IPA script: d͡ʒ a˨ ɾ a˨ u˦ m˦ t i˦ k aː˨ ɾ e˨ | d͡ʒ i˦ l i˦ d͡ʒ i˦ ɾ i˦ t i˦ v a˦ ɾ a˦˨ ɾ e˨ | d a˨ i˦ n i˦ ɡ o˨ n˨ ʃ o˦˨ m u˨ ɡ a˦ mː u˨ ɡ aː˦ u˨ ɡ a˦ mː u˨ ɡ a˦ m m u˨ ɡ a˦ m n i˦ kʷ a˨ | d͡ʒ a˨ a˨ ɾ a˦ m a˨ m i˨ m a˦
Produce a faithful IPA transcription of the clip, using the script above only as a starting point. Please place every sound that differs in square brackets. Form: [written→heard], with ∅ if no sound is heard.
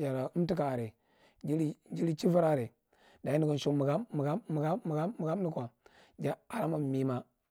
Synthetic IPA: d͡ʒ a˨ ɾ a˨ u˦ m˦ t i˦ k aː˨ ɾ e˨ | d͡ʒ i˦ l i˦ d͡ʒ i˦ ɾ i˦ [t→t͡ʃ] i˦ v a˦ ɾ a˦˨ ɾ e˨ | d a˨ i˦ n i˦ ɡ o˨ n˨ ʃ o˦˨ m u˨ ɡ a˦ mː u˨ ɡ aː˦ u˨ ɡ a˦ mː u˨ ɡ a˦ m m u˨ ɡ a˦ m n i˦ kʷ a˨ | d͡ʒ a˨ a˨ ɾ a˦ m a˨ m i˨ m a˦